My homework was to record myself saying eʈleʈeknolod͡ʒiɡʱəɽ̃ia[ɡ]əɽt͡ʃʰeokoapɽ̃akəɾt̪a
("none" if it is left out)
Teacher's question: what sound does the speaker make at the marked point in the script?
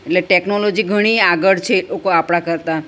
ɡ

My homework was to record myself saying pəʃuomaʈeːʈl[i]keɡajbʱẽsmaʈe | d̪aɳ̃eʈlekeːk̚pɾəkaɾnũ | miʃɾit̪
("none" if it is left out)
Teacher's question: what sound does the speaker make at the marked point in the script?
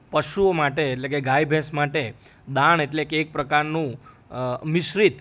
e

